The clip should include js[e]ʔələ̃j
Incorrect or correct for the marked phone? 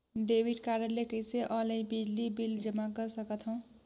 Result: correct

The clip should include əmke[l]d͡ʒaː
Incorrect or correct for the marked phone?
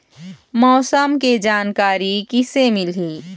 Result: incorrect: none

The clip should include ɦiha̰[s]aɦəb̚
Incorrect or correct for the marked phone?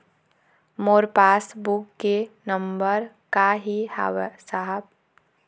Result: correct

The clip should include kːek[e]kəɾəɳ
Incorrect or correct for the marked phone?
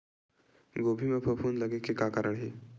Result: incorrect: a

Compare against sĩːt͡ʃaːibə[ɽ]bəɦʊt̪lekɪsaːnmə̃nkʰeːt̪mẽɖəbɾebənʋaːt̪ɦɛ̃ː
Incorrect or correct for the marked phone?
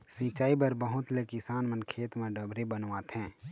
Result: incorrect: ɾ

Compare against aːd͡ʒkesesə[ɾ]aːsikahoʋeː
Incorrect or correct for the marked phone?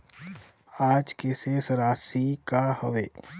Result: correct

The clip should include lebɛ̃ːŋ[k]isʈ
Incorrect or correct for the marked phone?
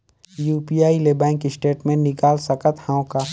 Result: correct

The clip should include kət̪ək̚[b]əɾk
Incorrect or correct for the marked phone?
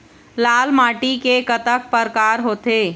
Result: incorrect: p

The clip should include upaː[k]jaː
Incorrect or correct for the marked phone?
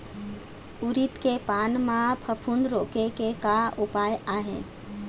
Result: incorrect: none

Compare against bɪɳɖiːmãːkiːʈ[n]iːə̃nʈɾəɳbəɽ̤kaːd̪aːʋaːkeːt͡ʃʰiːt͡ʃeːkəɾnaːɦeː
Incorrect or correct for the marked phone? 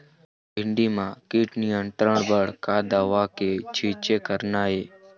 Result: correct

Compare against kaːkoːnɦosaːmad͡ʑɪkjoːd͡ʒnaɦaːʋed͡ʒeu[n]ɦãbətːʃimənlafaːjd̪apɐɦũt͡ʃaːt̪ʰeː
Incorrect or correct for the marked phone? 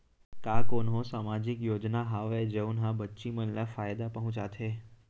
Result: correct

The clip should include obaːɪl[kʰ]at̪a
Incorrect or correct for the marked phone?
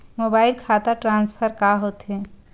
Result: correct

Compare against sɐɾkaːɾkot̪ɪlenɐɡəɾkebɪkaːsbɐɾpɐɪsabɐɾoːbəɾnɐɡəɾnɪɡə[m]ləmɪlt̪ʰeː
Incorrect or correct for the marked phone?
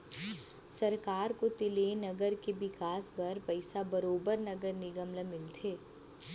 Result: correct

